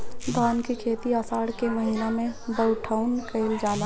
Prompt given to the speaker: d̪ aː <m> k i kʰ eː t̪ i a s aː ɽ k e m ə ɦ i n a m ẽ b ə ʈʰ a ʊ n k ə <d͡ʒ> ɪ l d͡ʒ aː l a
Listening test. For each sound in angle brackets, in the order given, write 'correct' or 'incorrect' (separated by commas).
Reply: incorrect, incorrect